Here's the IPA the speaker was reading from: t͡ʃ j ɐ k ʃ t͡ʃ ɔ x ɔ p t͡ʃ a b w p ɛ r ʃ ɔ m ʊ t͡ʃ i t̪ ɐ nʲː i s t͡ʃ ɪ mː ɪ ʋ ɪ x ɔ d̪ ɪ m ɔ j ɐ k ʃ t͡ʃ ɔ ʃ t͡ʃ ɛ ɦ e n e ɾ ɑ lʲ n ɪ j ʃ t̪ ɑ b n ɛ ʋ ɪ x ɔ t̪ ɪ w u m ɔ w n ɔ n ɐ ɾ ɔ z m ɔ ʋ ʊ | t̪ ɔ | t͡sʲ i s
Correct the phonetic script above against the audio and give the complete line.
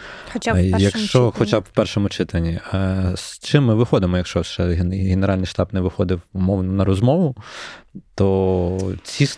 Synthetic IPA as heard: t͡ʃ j ɐ k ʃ t͡ʃ ɔ x ɔ t͡ʃ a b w p ɛ r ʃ ɔ m ʊ t͡ʃ ɪ t̪ ɐ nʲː i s t͡ʃ ɪ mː ɪ ʋ ɪ x ɔ d̪ ɪ m ɔ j ɐ k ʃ t͡ʃ ɔ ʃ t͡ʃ ɛ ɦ e n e ɾ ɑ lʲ n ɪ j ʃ t̪ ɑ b n ɛ ʋ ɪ x ɔ d̪ ɪ w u m ɔ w n ɔ n ɐ ɾ ɔ z m ɔ ʋ ʊ | t̪ ɔ | t͡sʲ i s